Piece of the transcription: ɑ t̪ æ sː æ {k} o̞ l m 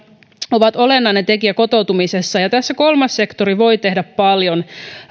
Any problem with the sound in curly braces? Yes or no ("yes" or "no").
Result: no